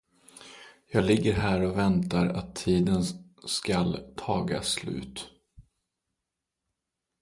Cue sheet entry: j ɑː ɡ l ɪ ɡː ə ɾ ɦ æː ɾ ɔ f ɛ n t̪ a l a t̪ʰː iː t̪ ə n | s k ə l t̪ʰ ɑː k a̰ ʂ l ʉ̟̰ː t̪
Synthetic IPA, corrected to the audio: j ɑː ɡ l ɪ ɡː ə ɾ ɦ æː ɾ ɔ v ɛ n t̪ a ɾ a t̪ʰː iː d̪ ə n | s k a l t̪ʰ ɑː ɡ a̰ s l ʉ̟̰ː t̪